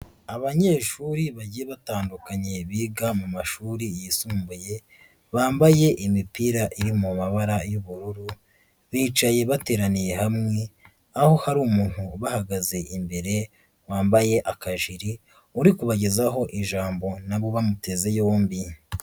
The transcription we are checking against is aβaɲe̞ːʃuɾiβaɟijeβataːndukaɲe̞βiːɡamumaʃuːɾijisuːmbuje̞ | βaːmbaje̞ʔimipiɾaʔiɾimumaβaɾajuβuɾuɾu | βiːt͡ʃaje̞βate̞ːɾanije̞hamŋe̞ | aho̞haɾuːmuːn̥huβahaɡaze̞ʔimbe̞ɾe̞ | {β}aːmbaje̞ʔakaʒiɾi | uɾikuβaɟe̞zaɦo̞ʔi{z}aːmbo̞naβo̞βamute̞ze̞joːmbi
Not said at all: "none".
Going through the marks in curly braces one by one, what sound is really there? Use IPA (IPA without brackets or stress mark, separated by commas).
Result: w, ʒ